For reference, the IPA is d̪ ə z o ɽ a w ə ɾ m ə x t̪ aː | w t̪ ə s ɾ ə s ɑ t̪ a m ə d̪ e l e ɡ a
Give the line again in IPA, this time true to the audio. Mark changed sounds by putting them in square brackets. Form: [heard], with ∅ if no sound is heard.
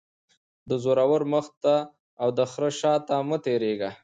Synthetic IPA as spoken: d̪ ə z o [ɾ] a w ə ɾ m ə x t̪ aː | w [d̪] ə [x] ɾ ə [ʃ] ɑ t̪ a m ə [t̪] e [ɾ] e ɡ a